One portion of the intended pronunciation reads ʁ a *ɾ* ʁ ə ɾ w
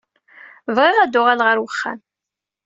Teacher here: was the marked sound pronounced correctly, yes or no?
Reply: no